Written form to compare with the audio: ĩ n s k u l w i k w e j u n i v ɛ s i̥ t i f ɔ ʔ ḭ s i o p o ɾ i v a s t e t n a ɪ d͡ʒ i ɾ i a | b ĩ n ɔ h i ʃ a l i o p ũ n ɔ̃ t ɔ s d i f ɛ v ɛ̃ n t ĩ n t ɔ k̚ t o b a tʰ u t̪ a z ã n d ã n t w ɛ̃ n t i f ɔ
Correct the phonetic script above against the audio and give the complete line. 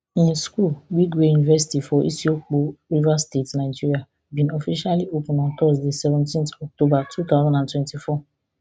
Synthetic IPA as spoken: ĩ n s k u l w i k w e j u n i v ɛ s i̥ t i f ɔ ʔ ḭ s i o k͡p o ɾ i v a s t e t n a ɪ d͡ʒ i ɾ i a | b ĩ n ɔ f i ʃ a l i o p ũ n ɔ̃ t ɔ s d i s ɛ v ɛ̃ n t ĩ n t ɔ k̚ t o b a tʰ u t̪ a z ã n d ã n t w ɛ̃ n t i f ɔ